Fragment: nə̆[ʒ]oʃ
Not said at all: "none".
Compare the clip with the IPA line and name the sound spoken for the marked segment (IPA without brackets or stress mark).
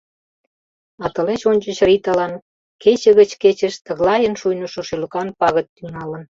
ʃ